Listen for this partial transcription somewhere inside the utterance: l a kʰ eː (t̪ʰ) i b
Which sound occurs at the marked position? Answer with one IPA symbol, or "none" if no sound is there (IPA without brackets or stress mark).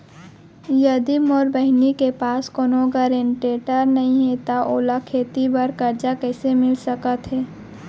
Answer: t̪